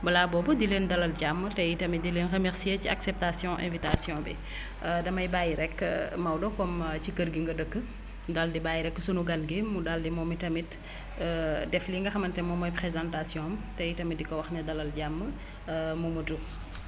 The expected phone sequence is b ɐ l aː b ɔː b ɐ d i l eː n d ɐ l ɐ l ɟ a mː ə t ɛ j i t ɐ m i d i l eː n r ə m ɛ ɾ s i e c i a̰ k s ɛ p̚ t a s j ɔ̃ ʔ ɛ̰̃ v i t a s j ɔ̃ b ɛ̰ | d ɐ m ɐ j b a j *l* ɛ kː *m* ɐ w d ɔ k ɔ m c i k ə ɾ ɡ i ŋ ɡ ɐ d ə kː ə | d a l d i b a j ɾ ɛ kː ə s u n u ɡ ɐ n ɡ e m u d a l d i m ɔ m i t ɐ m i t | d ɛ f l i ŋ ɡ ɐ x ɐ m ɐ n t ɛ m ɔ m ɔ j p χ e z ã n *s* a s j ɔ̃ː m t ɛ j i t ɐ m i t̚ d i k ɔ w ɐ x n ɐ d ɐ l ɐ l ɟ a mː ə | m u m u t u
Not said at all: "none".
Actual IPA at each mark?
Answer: ɾ, m, t

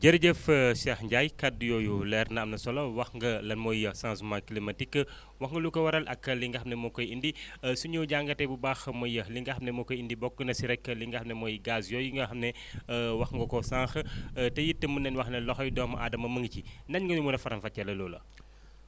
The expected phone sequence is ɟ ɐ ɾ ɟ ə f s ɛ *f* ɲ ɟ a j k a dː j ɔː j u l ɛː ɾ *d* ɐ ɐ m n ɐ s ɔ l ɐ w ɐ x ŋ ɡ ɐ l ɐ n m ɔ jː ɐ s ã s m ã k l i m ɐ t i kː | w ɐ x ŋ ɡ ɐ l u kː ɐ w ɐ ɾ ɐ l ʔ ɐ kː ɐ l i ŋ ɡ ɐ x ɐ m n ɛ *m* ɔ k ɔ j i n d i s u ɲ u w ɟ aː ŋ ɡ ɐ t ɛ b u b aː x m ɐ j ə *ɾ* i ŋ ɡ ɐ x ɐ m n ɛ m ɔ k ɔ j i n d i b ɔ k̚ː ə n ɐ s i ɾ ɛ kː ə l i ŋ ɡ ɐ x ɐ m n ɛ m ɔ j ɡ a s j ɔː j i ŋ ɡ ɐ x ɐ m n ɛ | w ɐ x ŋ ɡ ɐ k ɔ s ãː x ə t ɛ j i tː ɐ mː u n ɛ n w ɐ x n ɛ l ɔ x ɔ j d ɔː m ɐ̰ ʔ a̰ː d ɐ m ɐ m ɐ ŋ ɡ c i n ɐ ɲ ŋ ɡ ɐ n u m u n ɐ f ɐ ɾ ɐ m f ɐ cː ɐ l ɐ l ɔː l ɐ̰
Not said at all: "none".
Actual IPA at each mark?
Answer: x, n, m, l

